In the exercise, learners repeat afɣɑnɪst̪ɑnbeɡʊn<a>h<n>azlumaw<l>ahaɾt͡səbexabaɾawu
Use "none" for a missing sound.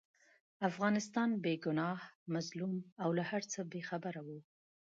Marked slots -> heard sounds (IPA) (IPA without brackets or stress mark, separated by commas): ɑ, m, l